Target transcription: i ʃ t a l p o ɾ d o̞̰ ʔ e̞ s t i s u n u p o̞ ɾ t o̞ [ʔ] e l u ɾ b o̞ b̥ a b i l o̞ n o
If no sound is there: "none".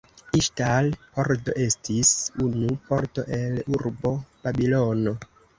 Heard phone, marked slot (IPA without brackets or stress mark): ʔ